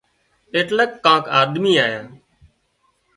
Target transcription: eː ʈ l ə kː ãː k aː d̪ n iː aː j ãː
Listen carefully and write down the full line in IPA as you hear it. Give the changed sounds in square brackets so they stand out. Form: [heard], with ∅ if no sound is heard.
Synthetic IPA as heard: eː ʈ l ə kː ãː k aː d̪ [m] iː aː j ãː